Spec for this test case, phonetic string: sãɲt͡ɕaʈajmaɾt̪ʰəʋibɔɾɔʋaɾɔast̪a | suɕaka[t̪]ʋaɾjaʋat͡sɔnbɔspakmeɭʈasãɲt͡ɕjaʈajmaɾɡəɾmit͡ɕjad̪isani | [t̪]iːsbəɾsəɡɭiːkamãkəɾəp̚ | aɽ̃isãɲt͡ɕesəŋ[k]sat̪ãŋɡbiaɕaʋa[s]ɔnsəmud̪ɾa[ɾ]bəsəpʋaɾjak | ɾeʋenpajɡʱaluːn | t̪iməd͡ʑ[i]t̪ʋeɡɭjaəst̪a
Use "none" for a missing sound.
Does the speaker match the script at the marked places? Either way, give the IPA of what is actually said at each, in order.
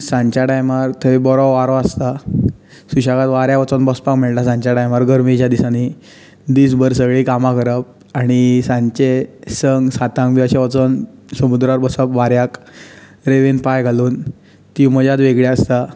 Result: t̪, d̪, ɡ, t͡s, ɾ, a

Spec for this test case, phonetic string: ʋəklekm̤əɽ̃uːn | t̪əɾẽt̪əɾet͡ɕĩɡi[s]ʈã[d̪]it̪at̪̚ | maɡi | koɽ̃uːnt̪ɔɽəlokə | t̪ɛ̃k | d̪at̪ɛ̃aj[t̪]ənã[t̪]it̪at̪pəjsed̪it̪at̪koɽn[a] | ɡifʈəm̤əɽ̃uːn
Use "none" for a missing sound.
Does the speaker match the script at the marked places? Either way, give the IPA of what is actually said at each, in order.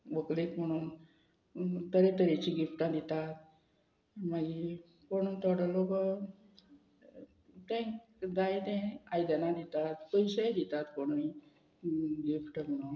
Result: f, d̪, d̪, d̪, i

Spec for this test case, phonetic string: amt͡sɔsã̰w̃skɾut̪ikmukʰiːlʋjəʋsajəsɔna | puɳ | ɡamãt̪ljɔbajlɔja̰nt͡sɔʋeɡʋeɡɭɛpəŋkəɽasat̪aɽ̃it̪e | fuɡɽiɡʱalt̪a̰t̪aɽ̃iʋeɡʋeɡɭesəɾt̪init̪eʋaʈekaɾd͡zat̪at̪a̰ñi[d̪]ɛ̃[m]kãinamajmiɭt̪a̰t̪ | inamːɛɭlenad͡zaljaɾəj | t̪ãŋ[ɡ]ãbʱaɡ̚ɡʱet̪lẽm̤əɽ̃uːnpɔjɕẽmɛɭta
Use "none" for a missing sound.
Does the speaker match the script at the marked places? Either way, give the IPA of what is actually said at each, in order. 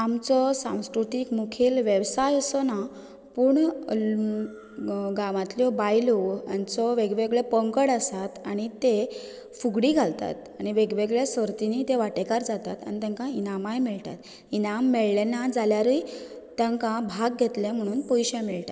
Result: t̪, ŋ, k

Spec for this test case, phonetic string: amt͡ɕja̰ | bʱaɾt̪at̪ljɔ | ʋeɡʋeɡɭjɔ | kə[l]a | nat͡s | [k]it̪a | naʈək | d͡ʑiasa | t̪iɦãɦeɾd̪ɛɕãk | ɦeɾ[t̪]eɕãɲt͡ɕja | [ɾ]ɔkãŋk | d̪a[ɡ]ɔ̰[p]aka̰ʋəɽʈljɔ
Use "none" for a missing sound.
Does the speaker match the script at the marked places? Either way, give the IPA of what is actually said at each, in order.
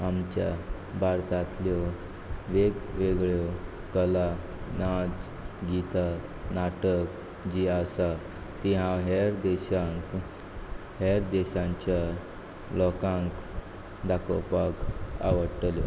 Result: l, ɡ, d̪, l, k, p

